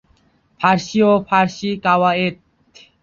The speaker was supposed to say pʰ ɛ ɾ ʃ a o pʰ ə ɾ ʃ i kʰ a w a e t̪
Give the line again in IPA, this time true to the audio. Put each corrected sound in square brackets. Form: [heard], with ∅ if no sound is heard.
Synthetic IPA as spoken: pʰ [a] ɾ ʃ [i] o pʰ [a] ɾ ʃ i [k] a w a e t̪